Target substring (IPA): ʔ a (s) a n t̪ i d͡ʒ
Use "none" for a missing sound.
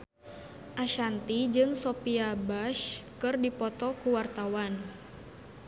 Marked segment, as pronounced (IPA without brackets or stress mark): ʃ